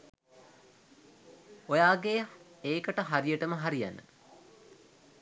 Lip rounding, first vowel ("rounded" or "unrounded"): rounded